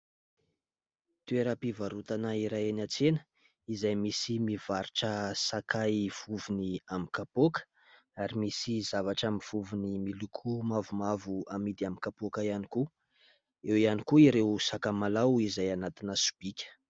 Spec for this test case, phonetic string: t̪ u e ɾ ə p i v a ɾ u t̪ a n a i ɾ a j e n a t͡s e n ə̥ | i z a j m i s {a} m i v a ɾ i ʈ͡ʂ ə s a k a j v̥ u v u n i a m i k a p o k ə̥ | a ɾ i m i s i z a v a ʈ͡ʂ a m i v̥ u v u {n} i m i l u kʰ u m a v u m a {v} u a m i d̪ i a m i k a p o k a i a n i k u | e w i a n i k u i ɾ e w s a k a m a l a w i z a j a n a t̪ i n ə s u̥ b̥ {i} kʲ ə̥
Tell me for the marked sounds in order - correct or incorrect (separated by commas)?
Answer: incorrect, correct, correct, correct